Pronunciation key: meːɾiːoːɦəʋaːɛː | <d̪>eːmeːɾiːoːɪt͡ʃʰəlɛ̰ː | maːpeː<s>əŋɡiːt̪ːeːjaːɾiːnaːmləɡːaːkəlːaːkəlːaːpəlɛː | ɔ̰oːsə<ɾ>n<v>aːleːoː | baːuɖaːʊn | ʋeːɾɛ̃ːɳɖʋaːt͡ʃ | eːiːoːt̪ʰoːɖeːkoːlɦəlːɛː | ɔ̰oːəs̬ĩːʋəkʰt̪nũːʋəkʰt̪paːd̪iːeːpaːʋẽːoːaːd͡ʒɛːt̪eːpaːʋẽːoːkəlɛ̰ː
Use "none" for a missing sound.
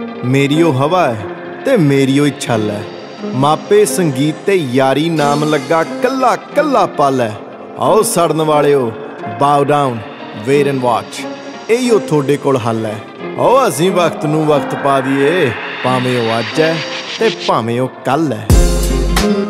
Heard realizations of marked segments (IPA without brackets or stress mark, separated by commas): t̪, s, ɽ, ʋ